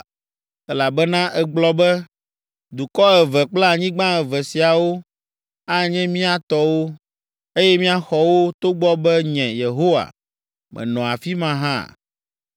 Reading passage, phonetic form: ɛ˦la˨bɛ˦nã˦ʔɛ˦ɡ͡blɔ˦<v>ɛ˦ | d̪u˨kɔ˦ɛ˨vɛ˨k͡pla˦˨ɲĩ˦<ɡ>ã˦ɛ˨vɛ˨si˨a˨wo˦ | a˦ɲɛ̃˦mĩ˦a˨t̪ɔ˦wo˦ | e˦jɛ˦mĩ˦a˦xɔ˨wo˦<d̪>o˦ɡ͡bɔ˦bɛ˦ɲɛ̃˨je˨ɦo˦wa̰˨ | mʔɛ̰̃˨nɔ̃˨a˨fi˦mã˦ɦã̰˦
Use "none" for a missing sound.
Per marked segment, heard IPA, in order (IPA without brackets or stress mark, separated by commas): b, ɡ͡b, t̪